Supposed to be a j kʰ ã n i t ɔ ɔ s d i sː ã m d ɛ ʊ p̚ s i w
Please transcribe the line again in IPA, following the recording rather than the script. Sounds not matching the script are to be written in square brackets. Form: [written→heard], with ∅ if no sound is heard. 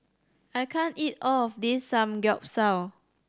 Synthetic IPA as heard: a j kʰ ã n i t ɔ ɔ [s→f] d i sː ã m [d→ɡ] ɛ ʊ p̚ s [i→a] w